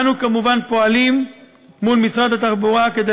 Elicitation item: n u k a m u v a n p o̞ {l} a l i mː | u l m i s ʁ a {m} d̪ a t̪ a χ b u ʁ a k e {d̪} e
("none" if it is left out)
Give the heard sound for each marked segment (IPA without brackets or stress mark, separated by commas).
none, none, d̪